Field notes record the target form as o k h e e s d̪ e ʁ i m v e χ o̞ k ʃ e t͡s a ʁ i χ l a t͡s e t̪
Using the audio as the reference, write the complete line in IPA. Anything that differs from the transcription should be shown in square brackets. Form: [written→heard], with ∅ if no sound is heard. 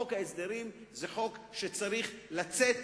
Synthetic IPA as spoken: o k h [e→a] e s d̪ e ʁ i m [v→z] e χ o̞ k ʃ e t͡s a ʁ i χ l a t͡s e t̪